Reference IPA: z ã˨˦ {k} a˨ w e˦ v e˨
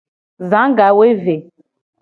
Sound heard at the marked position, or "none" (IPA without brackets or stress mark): ɡ